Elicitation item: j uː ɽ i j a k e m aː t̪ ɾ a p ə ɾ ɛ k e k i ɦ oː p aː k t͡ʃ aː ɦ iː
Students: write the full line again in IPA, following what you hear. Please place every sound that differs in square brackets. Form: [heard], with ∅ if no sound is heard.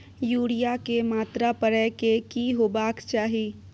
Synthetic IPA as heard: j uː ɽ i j a k e m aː t̪ ɾ a p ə ɾ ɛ k e k i ɦ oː [b] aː k t͡ʃ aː ɦ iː